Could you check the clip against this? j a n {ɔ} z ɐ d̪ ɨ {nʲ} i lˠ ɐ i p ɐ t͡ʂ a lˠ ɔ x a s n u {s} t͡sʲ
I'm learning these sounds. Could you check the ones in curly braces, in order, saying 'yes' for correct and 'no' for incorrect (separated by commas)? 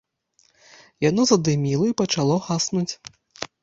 yes, no, no